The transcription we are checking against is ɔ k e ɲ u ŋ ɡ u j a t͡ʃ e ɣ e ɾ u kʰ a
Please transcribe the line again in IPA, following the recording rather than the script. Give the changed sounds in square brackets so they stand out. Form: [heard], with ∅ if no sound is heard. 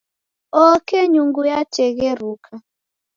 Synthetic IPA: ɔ k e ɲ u ŋ ɡ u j a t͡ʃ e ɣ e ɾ u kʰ a